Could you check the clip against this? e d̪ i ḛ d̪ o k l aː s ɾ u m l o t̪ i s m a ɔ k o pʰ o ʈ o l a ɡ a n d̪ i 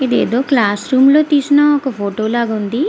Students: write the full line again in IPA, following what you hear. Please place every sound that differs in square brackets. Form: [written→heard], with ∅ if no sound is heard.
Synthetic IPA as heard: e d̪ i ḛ d̪ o k l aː s ɾ u m l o t̪ i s [m→n] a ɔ k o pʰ o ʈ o l a ɡ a n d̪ i